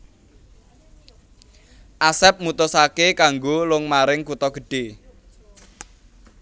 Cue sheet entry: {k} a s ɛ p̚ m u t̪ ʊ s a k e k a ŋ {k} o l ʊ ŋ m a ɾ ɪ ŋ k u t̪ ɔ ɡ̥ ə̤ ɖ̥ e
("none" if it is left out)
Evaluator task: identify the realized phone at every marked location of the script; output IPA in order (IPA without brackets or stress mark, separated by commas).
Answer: ʔ, ɡ